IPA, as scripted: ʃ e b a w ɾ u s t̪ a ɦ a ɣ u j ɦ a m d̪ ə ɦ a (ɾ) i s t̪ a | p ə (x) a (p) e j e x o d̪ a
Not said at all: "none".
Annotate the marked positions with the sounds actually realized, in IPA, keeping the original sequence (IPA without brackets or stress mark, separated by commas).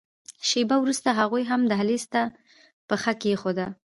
l, x, k